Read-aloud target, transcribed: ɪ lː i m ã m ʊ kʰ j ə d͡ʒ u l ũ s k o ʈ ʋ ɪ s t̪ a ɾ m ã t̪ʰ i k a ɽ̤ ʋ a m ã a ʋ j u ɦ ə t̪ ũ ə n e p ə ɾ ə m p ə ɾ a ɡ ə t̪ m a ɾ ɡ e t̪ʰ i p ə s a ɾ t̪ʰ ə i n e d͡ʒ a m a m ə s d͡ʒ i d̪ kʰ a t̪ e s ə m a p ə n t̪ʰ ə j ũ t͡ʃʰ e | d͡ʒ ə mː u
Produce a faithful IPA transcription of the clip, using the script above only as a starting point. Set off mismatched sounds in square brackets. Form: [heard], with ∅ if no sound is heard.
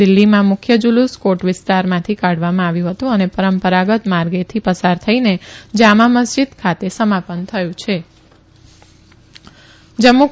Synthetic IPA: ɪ lː i m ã m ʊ kʰ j ə d͡ʒ u l [u] s k o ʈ ʋ ɪ s t̪ a ɾ m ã t̪ʰ i k a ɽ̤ ʋ a m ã a ʋ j [ũ] ɦ ə t̪ ũ ə n e p ə ɾ ə m p ə ɾ a ɡ ə t̪ m a ɾ ɡ e t̪ʰ i p ə s a ɾ t̪ʰ ə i n e d͡ʒ a m a m ə s d͡ʒ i d̪ kʰ a t̪ e s ə m a p ə n t̪ʰ ə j ũ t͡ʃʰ e | d͡ʒ ə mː u